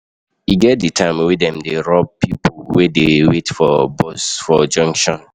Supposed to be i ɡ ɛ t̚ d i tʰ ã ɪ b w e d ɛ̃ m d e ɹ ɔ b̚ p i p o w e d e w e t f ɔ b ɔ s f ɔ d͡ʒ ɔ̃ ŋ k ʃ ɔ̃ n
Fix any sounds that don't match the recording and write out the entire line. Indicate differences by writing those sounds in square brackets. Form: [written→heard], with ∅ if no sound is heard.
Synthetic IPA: i ɡ ɛ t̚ d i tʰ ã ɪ [b→m] w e d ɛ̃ m d e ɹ ɔ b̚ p i p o w e d e w e t f ɔ b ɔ s f ɔ d͡ʒ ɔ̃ ŋ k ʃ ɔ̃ n